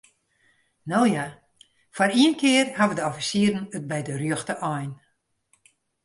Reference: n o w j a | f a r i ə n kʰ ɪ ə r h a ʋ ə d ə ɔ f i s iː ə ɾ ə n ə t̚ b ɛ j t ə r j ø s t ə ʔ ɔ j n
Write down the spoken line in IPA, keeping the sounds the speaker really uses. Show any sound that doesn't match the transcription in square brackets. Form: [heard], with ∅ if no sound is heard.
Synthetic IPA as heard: n o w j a | f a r i ə n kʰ ɪ ə r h a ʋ ə d ə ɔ f i s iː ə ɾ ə n ə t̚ b ɛ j [d] ə r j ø [x] t ə ʔ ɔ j n